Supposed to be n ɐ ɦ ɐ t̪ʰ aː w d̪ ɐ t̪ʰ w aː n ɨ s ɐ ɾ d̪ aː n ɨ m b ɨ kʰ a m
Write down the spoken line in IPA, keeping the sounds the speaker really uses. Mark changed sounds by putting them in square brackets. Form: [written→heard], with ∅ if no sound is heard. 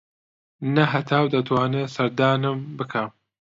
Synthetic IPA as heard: n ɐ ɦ ɐ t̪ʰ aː w d̪ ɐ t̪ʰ w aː n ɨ s ɐ ɾ d̪ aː n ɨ m b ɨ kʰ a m